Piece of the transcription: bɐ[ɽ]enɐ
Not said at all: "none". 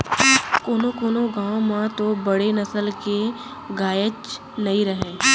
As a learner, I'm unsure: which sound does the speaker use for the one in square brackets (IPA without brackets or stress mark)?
ɽ